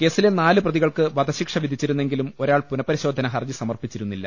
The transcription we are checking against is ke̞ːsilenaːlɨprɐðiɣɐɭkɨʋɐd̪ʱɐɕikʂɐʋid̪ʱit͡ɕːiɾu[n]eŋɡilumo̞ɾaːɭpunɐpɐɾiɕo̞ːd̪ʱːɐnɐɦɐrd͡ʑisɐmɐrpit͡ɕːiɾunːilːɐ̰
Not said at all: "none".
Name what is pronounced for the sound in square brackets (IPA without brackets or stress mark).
nː